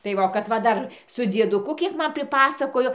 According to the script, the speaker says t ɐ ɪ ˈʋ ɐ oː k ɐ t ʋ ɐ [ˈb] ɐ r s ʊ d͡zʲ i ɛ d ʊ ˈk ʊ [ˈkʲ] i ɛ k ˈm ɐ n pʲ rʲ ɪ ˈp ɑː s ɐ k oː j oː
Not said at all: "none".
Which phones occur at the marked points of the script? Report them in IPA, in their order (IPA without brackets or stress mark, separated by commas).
d, kʲ